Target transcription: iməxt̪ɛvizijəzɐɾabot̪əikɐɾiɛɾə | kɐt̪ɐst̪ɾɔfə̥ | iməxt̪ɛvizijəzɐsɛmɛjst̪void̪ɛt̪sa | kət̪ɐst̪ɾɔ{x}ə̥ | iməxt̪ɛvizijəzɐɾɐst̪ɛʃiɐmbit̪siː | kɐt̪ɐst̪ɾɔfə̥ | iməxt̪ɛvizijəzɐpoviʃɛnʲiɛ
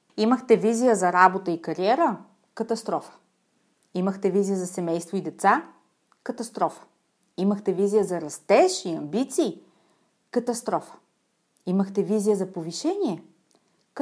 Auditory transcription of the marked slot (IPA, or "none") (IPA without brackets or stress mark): f